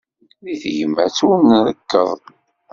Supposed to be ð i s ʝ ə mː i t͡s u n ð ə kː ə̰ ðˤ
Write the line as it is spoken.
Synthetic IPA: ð i θ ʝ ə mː æ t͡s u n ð ə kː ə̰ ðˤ